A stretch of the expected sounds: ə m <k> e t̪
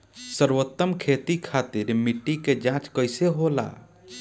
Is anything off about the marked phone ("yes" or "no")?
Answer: yes